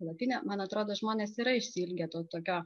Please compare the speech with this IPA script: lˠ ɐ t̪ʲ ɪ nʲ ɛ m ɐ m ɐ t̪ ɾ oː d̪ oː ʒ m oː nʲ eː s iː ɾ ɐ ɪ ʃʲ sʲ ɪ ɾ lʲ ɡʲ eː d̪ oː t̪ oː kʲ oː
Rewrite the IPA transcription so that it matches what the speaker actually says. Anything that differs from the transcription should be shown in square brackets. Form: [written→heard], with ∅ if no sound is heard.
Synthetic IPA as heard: lˠ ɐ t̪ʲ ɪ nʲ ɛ m ɐ [m→n] ɐ t̪ ɾ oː d̪ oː ʒ m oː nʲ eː s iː ɾ ɐ ɪ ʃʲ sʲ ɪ [ɾ→∅] lʲ ɡʲ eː [d̪→t̪] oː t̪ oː kʲ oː